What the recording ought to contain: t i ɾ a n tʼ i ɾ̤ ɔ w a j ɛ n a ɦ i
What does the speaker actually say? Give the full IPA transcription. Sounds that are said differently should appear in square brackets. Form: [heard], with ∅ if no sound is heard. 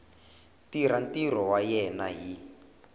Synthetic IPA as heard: t i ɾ a n [t] i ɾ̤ ɔ w a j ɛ n a ɦ i